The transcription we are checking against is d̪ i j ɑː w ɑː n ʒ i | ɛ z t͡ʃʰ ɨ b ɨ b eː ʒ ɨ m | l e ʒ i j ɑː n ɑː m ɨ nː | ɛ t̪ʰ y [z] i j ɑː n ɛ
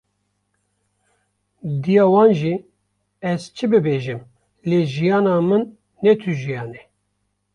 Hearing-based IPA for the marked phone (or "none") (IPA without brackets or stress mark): ʒ